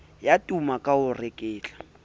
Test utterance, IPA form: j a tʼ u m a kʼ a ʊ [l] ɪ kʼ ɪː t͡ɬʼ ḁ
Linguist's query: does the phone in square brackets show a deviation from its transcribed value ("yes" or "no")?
yes